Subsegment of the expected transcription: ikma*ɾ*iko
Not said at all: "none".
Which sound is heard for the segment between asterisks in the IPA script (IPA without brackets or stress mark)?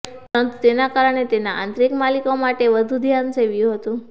l